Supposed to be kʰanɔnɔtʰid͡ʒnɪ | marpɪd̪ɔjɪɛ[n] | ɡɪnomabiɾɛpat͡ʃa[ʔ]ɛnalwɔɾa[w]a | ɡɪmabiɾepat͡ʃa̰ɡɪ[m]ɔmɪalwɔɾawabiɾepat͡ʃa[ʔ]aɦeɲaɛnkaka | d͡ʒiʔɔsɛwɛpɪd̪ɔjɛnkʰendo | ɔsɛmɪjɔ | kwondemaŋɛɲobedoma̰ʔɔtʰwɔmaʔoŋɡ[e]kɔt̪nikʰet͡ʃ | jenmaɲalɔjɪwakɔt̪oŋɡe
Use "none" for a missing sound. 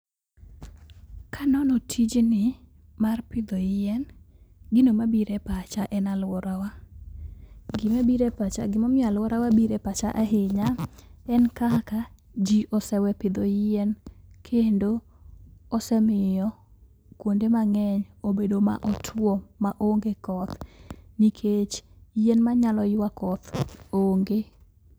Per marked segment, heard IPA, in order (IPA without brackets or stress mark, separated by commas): n, ʔ, w, m, ʔ, e